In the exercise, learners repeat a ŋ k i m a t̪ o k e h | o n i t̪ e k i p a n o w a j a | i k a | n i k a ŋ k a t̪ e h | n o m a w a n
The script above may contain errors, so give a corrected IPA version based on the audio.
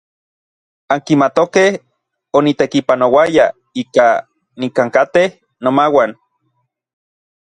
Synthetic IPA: a ŋ k i m a t̪ o k e h | o n i t̪ e k i p a n o w a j a | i k a | n i k a ŋ k a t̪ e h | n o m a w a n